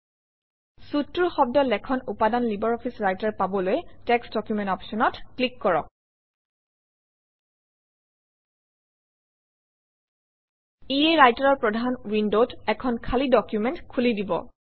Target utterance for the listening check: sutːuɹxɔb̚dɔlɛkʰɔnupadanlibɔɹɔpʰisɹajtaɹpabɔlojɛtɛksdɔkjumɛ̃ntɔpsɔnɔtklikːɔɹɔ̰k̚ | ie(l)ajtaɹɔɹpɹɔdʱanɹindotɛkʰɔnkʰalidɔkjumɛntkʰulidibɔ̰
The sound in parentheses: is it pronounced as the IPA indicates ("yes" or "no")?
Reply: no